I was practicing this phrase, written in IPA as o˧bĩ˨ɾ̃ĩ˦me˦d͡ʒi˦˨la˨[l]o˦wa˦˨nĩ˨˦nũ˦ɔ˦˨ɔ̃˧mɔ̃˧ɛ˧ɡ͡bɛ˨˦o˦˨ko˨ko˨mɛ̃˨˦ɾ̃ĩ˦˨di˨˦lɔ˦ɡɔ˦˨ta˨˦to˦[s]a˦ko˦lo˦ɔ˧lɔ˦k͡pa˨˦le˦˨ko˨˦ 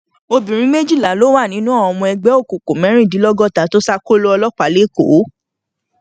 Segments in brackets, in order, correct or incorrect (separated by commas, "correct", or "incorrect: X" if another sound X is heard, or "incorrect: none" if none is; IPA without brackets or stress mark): correct, correct